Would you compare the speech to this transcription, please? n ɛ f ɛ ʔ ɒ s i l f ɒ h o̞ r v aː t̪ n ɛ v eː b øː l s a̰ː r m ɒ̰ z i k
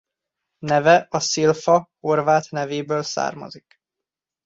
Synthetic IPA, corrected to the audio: n ɛ v ɛ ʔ ɒ s i l f ɒ h o̞ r v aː t̪ n ɛ v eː b øː l s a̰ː r m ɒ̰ z i k